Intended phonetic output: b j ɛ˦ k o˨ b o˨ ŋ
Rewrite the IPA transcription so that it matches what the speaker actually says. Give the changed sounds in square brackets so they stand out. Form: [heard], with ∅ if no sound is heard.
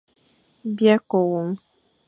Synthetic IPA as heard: b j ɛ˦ k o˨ [w] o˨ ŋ